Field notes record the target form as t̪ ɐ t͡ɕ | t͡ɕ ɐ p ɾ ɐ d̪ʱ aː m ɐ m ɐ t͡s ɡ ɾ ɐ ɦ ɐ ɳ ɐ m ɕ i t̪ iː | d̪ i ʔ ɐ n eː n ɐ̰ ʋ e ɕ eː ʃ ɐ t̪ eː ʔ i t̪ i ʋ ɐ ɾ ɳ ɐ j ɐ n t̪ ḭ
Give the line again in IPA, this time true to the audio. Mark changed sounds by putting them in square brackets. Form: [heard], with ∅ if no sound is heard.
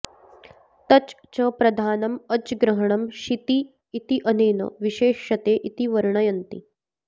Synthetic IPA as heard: t̪ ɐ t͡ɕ | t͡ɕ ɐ p ɾ ɐ d̪ʱ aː [n] ɐ m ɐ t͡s ɡ ɾ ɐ ɦ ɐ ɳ ɐ m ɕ i t̪ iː | [t̪] i ʔ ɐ n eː n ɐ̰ ʋ [i] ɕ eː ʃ ɐ t̪ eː ʔ i t̪ i ʋ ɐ ɾ ɳ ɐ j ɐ n t̪ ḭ